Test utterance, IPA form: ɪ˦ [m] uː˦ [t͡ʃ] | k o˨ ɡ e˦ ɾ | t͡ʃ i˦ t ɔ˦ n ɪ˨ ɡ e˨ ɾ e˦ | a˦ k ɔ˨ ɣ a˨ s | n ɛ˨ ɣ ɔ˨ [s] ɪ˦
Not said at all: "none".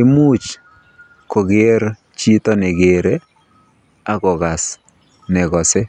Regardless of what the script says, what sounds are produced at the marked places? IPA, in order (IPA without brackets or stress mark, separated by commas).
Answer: m, t͡ʃ, s